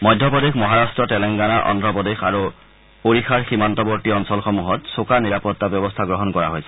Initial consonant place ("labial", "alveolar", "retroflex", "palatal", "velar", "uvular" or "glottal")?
labial